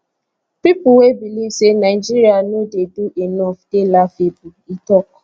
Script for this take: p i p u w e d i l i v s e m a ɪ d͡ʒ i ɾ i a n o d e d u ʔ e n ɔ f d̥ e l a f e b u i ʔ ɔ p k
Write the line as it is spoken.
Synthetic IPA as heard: p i p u w e b i l i v s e n a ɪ d͡ʒ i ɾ i a n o d e d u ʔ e n ɔ f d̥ e l a f e b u i t ɔ k